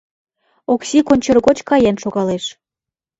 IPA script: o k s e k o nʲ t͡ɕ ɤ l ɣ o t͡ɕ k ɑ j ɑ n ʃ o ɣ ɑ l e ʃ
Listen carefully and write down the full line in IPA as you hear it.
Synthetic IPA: o k s i k o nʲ t͡ɕ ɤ r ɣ o t͡ɕ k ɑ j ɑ n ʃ o ɣ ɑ l e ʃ